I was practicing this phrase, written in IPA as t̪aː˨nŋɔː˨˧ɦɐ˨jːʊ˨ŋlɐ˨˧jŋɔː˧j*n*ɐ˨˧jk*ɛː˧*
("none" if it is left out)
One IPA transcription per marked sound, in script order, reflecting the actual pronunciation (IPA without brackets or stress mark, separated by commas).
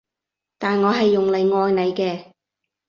n, ɛː˧